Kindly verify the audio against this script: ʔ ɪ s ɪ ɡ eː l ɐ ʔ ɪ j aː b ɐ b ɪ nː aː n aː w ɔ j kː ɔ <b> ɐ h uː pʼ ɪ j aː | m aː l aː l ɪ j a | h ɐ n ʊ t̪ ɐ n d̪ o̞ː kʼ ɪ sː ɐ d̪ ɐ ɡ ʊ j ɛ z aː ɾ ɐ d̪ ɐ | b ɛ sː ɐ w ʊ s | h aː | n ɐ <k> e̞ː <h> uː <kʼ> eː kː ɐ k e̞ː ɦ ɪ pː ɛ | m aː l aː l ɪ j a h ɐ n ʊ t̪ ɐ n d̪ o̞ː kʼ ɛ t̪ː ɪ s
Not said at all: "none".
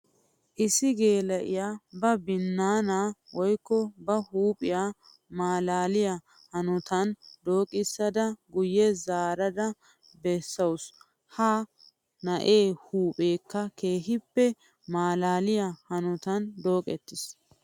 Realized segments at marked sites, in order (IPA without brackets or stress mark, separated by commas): b, ʔ, h, pʼ